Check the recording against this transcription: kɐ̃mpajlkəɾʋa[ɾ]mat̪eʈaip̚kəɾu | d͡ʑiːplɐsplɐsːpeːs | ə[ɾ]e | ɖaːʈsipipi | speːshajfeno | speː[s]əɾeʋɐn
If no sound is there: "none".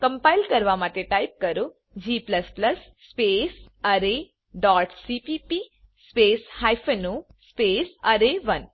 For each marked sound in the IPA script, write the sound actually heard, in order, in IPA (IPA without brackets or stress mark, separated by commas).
none, ɾ, s